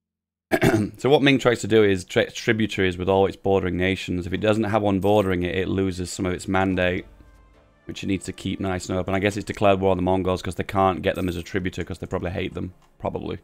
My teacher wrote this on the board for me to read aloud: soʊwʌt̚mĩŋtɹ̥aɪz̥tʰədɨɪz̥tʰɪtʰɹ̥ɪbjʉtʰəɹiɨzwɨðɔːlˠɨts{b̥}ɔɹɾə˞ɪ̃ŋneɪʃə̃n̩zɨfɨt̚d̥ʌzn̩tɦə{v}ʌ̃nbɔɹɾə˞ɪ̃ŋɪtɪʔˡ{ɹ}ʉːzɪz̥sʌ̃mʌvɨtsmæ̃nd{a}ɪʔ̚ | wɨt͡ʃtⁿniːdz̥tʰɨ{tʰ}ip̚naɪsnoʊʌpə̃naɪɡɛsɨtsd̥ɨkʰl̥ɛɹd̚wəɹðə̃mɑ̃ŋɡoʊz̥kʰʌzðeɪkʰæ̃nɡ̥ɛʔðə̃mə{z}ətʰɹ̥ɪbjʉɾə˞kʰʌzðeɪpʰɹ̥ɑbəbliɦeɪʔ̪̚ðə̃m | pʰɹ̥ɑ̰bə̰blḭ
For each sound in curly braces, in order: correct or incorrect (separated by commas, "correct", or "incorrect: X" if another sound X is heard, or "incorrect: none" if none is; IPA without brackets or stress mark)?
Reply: correct, correct, incorrect: l, incorrect: e, incorrect: kʰ, correct